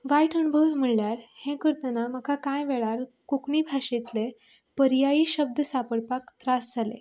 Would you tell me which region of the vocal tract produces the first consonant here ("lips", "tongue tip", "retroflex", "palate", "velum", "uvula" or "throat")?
lips